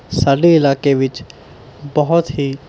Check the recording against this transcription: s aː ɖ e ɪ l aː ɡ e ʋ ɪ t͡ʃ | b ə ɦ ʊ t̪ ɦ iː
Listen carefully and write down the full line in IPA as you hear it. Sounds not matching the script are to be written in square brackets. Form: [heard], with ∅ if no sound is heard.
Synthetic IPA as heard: s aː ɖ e ɪ l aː [k] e ʋ ɪ t͡ʃ | b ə ɦ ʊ t̪ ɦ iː